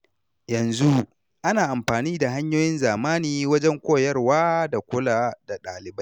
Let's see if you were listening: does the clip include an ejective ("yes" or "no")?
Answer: no